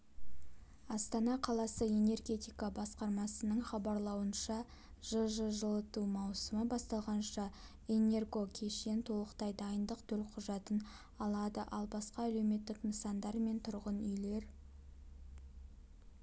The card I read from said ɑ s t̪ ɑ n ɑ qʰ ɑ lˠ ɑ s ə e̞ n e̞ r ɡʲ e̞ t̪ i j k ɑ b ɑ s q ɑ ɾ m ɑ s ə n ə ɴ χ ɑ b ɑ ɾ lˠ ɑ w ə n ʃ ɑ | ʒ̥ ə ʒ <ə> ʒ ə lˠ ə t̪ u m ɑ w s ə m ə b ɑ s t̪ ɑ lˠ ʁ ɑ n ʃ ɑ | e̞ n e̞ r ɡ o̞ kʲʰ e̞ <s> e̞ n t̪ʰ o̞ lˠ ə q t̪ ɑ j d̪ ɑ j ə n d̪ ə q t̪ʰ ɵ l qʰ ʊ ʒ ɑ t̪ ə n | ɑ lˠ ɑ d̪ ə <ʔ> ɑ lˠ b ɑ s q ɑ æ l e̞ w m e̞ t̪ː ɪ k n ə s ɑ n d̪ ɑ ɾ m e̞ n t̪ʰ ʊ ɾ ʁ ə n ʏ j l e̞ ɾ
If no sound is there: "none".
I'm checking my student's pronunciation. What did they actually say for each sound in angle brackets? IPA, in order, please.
ə, ʃ, ʔ

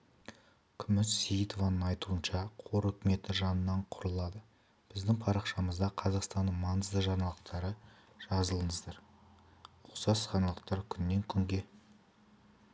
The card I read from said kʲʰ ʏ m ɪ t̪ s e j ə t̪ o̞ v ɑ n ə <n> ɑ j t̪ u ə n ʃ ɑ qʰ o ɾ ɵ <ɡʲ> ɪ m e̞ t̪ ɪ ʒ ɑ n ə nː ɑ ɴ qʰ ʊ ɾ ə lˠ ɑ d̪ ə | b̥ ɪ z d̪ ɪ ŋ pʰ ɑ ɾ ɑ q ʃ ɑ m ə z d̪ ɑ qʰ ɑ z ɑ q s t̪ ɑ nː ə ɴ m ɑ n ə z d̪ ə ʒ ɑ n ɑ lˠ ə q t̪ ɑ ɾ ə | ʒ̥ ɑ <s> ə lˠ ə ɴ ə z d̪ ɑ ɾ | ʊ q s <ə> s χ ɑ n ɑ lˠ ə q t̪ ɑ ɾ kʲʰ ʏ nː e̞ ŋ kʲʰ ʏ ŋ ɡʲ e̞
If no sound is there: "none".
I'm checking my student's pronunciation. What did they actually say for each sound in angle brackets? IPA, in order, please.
ɴ, kʲ, z, ɑ

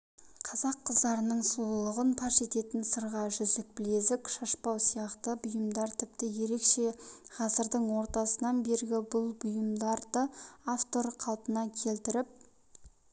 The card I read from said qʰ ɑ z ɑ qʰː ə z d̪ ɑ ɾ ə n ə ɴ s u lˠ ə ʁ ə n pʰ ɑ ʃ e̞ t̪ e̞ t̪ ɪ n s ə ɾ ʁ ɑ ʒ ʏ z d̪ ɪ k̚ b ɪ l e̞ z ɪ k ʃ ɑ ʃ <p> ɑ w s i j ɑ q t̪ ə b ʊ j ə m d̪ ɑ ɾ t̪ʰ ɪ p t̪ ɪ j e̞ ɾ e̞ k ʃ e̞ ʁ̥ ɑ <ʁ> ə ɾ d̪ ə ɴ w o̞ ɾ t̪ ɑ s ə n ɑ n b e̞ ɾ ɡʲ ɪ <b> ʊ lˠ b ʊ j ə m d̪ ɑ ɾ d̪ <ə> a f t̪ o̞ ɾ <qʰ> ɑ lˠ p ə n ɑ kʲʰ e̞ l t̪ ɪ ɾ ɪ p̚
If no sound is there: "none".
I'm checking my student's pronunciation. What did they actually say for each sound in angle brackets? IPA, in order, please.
p, z, b, ə, qʰ

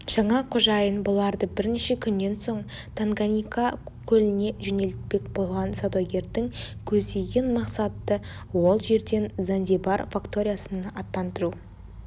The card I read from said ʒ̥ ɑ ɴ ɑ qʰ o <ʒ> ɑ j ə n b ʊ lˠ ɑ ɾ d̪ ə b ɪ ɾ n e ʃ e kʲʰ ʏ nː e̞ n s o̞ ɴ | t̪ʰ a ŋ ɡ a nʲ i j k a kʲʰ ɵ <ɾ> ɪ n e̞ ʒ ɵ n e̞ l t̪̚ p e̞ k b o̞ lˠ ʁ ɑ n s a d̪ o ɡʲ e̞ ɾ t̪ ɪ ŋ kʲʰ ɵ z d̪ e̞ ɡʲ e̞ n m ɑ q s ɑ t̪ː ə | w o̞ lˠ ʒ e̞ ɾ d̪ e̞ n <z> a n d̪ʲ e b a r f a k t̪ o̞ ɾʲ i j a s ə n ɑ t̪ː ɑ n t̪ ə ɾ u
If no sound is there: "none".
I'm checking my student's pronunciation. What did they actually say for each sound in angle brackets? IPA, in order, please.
ʒ, l, z

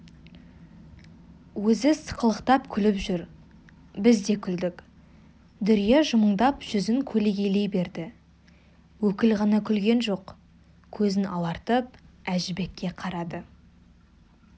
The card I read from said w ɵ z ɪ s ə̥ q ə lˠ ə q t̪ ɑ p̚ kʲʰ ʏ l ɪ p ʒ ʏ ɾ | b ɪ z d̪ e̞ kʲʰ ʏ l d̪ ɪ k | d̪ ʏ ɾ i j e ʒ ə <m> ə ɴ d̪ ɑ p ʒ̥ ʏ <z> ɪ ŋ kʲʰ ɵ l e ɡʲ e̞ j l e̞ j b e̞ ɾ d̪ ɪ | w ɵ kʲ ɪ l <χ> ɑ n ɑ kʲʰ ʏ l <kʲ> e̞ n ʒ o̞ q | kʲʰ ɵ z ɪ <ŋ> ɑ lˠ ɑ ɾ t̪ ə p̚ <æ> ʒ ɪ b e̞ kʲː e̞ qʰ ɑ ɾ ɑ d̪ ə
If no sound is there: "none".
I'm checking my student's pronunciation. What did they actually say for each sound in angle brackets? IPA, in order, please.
m, z, ʁ, ɡʲ, n, æ

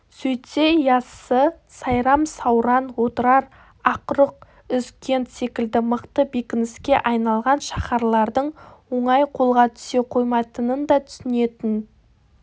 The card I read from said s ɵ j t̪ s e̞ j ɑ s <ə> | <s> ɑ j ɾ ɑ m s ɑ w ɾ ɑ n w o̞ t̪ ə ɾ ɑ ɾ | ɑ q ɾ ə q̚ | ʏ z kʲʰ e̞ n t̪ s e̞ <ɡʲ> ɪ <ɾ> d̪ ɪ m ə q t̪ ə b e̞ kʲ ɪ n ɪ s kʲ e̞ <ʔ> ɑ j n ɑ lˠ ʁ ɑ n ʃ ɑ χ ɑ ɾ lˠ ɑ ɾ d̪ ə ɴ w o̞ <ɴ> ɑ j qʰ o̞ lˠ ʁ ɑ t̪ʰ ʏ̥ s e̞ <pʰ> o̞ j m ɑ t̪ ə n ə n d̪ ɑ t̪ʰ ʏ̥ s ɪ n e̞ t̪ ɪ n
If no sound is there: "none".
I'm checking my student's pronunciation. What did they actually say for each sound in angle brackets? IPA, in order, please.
ə, s, kʲ, l, ʔ, ɴ, qʰ

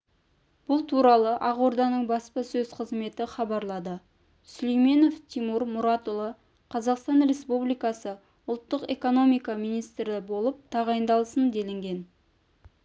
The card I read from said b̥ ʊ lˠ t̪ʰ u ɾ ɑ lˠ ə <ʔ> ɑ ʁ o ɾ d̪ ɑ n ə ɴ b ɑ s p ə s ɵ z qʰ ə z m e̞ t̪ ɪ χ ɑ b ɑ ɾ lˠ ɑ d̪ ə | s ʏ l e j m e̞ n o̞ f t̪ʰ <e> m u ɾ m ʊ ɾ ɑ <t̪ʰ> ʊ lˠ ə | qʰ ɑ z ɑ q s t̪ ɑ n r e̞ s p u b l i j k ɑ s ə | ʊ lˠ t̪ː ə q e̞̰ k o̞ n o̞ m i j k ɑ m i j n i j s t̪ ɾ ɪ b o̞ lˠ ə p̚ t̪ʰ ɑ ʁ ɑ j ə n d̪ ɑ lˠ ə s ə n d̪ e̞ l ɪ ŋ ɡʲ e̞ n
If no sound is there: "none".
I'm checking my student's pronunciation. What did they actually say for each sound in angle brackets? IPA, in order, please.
ʔ, i, t̪

